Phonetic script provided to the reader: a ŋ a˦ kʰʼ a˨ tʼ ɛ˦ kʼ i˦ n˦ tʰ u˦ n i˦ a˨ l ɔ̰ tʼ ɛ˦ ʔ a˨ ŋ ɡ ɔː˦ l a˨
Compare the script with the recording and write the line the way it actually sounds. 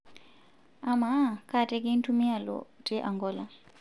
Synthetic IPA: a m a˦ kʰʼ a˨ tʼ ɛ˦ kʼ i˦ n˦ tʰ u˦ m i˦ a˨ l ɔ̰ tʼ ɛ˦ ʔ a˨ ŋ ɡ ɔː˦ l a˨